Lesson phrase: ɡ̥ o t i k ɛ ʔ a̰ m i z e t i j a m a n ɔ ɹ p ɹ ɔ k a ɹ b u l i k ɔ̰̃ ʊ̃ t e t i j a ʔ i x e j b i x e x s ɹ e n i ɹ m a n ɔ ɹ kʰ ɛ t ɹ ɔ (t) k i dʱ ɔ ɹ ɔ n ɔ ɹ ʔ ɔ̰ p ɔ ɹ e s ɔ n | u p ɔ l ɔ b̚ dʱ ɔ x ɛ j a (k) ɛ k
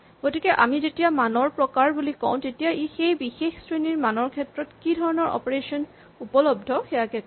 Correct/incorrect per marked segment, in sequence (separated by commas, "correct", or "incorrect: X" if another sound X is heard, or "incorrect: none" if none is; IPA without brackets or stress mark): correct, correct